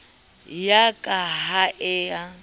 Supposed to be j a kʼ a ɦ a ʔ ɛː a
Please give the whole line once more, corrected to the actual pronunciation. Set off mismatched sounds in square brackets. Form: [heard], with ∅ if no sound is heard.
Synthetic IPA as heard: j a kʼ a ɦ a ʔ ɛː a